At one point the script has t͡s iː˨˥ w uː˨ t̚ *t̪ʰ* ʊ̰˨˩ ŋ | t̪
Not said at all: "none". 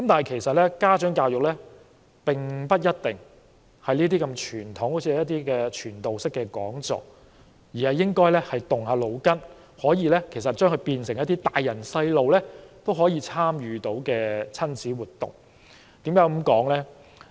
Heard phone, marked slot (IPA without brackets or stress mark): t̪